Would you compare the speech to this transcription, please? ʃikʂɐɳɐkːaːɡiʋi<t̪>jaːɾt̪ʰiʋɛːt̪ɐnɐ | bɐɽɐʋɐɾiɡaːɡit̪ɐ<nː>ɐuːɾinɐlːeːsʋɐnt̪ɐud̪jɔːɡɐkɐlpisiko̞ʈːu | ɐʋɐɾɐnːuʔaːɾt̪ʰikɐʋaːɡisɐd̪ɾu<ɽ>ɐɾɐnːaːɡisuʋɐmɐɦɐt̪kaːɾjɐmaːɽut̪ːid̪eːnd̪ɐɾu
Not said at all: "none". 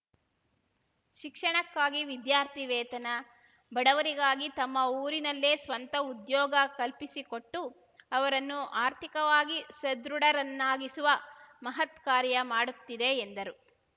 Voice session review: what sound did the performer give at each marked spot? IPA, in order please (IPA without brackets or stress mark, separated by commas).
d̪, mː, ɽ